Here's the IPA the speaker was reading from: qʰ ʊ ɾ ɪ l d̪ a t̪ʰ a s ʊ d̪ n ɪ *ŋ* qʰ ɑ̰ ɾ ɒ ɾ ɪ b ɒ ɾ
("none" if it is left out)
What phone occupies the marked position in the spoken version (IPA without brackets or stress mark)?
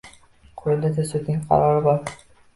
ŋ